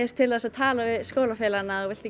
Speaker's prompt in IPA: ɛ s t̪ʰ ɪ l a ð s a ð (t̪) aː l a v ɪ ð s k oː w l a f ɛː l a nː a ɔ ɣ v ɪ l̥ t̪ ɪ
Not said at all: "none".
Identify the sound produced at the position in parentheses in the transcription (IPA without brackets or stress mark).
t̪ʰ